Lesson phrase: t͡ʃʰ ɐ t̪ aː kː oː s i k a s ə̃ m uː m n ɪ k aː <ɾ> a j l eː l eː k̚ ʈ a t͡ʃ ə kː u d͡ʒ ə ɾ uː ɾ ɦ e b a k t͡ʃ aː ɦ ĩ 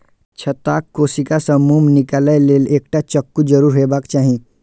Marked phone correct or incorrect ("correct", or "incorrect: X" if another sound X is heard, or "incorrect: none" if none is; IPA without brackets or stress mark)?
incorrect: l